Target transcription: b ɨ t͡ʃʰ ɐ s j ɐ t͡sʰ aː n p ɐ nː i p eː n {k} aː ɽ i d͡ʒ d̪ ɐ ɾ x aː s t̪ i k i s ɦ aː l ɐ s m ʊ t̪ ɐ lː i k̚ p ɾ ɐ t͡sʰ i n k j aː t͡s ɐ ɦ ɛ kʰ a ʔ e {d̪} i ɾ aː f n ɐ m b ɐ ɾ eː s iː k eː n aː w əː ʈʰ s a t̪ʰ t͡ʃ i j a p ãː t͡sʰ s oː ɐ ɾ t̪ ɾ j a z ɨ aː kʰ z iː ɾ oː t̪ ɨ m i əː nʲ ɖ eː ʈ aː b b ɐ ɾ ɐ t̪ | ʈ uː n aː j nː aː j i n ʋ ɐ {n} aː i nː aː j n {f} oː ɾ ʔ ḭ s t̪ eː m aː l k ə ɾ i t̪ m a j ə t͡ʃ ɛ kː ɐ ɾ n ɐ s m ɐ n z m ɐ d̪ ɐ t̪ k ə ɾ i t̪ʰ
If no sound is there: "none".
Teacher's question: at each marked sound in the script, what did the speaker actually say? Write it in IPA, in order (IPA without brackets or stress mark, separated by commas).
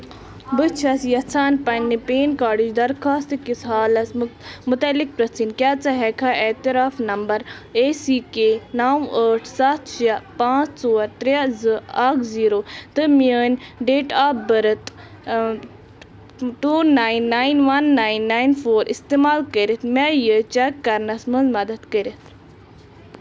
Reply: k, t̪, nː, f